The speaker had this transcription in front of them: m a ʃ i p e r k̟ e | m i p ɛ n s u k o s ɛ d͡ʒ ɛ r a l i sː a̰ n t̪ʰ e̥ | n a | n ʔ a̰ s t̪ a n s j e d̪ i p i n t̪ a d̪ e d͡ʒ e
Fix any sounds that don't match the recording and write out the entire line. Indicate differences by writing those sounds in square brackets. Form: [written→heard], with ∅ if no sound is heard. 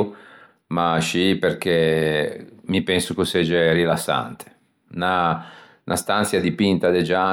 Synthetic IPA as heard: m a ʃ i p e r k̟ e | m i p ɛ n s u k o s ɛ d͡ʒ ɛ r [a→i] l [i→a] sː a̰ n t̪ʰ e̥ | n a | n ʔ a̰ s t̪ a n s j [e→a] d̪ i p i n t̪ a d̪ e d͡ʒ [e→a]